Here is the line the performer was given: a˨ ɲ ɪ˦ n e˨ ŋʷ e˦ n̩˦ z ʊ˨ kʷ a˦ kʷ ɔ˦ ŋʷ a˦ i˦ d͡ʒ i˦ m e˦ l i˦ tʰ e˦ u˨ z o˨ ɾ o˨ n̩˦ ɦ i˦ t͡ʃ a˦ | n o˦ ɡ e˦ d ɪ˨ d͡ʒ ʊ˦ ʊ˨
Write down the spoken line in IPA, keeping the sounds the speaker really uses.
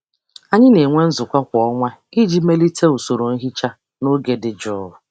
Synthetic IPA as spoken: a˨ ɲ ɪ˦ n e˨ ŋʷ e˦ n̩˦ z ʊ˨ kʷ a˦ kʷ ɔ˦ ŋʷ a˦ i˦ d͡ʒ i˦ m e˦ l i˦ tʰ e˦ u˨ s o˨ ɾ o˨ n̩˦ ɦ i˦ t͡ʃ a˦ | n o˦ ɡ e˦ d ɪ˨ d͡ʒ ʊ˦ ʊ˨